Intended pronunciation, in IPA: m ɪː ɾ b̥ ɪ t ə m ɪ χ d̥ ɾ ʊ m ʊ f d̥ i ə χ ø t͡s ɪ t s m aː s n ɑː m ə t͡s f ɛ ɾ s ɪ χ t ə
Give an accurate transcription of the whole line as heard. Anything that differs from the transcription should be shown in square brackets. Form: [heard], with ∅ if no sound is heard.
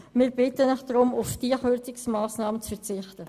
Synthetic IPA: m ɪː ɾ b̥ ɪ t ə [n] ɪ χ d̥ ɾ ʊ m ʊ f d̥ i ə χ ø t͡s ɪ [k] s m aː s n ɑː m ə t͡s f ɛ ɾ [t͡s] ɪ χ t ə